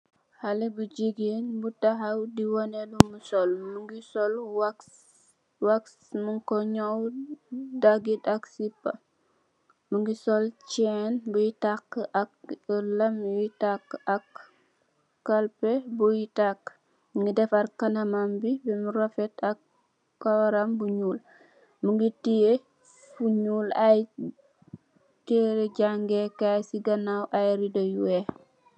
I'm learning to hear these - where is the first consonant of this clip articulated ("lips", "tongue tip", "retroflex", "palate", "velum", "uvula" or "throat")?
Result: throat